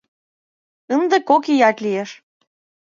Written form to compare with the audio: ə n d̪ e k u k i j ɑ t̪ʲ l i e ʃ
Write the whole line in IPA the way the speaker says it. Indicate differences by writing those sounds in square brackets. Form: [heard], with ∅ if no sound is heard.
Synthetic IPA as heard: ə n d̪ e k [o] k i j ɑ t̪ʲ l i e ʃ